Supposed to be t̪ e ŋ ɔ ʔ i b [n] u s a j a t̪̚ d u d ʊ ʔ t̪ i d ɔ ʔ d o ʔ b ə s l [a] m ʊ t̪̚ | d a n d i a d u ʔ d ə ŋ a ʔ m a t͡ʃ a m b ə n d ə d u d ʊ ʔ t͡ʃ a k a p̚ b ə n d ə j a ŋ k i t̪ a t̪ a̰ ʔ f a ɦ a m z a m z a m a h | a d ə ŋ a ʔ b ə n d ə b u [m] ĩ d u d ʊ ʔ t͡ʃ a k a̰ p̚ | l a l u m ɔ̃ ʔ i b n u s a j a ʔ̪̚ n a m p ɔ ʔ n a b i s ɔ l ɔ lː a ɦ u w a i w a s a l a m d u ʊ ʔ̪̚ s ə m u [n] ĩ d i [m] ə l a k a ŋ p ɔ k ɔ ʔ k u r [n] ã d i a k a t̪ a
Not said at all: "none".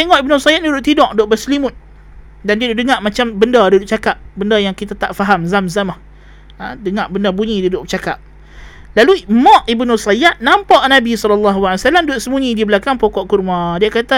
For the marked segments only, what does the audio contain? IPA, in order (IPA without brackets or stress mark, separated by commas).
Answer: n, i, ɲ, ɲ, b, m